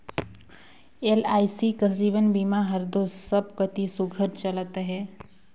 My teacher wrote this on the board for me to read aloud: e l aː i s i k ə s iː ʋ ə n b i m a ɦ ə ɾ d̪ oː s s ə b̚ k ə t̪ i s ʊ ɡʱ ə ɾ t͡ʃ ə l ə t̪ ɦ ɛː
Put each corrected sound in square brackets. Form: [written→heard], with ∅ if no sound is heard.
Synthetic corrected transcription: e l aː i s i k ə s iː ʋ ə n b i m a ɦ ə ɾ d̪ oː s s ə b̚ k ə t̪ i s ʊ ɡʱ ə ɾ t͡ʃ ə l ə t̪ ɦ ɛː